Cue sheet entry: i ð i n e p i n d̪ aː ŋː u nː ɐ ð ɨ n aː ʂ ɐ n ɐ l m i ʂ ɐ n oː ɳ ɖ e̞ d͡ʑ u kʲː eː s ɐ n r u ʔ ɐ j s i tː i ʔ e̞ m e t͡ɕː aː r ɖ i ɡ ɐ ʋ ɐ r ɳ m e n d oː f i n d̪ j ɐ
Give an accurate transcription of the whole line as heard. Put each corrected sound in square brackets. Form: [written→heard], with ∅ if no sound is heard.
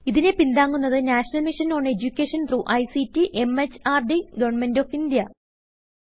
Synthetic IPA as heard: i ð i n e p i n d̪ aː ŋː u nː ɐ ð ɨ n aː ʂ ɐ n ɐ l m i ʂ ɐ n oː ɳ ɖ e̞ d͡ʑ u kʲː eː [s→ʂ] ɐ n r u ʔ ɐ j s i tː i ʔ e̞ m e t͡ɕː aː r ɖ i ɡ ɐ ʋ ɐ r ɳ m e n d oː f i n d̪ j ɐ